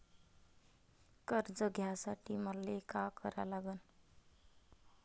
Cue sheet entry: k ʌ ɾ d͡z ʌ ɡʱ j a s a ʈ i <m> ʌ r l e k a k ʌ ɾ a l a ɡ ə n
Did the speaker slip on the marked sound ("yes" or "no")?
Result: no